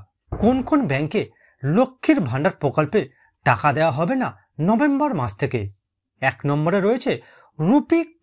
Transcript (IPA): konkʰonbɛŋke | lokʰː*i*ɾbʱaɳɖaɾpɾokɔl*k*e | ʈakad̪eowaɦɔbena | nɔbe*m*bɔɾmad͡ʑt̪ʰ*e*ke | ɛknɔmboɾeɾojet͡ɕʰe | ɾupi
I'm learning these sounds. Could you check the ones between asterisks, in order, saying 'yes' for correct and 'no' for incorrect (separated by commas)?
yes, no, yes, yes